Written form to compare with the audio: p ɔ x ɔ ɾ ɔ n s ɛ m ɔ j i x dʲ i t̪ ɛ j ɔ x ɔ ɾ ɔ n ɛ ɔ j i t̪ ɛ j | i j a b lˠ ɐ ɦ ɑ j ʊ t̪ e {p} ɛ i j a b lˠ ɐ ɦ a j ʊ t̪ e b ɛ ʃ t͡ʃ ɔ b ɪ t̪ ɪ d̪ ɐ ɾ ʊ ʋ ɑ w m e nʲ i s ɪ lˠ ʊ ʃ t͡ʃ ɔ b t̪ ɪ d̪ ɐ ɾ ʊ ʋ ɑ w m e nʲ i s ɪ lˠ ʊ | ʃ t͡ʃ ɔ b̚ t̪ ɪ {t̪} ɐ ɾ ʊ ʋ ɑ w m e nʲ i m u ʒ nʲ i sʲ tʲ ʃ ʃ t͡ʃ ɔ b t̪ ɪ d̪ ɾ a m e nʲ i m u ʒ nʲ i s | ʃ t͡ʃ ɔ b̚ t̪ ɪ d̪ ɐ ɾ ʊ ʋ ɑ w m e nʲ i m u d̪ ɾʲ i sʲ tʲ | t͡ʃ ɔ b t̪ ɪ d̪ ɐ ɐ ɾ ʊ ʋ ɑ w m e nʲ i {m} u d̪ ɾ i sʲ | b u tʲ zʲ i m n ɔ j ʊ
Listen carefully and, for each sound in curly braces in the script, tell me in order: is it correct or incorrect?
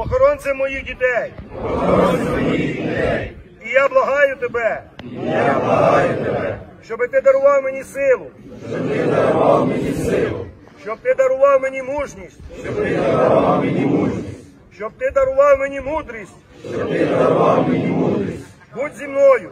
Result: incorrect: b, incorrect: d̪, correct

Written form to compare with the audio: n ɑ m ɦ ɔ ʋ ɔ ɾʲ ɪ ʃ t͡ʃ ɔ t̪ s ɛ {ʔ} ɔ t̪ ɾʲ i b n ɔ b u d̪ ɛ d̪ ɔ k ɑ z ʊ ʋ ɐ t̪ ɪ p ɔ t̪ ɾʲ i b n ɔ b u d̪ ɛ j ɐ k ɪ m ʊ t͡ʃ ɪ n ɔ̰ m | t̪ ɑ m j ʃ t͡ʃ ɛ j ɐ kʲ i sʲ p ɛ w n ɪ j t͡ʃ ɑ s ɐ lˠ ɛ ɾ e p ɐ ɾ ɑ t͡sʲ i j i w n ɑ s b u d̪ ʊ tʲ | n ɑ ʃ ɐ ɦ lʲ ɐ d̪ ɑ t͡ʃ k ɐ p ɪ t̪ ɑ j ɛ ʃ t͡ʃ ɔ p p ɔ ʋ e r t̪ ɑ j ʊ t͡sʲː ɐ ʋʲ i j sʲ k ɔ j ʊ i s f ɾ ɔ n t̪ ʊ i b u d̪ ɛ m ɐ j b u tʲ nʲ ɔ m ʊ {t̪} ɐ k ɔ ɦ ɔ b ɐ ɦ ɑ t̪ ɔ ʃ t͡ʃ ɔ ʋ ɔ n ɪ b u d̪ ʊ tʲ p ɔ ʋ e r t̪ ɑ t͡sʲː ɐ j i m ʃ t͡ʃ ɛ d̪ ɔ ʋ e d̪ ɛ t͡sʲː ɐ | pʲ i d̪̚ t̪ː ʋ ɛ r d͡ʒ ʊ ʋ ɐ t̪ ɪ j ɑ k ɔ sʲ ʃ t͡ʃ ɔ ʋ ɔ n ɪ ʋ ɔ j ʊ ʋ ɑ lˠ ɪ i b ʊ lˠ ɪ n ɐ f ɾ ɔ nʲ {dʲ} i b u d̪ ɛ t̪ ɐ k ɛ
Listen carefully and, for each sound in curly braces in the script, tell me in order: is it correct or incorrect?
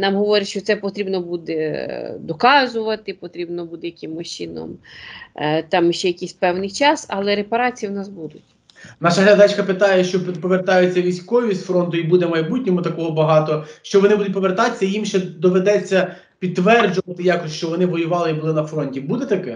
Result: incorrect: p, correct, incorrect: tʲ

